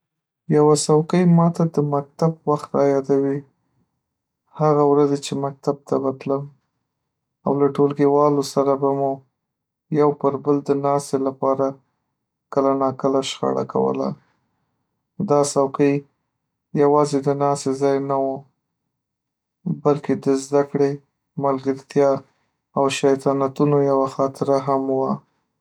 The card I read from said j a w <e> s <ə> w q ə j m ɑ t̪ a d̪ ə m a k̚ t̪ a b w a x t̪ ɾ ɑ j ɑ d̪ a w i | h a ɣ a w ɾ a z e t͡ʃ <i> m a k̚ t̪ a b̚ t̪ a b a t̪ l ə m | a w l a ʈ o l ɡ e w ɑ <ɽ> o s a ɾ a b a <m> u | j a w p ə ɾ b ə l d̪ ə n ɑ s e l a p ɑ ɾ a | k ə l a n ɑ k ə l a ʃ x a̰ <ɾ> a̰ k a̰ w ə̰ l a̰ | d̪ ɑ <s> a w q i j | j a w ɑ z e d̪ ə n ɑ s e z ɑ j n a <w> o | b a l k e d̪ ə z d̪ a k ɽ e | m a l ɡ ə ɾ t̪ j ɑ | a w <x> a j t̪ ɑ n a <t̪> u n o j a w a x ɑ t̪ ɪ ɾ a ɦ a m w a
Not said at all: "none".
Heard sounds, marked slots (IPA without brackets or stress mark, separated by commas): a, a, e, l, m, ɽ, s, w, ʃ, t̪